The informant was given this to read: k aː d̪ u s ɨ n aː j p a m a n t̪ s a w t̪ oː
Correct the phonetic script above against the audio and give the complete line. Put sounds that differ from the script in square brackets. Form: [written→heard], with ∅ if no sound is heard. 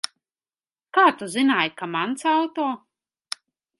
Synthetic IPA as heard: k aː [d̪→t̪] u [s→z] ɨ n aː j [p→k] a m a n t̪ s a w t̪ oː